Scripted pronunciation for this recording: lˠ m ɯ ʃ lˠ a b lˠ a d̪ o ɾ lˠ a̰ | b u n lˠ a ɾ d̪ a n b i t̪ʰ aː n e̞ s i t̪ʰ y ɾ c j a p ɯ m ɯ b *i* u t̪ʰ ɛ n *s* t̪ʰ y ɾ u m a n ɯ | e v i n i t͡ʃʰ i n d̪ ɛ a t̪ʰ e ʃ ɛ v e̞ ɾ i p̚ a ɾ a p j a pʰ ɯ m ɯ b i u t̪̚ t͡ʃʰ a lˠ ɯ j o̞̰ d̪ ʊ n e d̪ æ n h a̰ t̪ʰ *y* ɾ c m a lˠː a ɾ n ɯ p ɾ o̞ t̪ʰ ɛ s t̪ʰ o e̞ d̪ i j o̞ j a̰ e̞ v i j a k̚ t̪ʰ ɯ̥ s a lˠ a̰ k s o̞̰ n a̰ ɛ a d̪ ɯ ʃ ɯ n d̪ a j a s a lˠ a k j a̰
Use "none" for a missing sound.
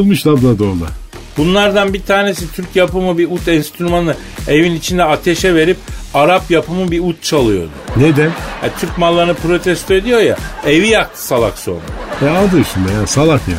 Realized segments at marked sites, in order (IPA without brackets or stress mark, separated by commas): i, s, y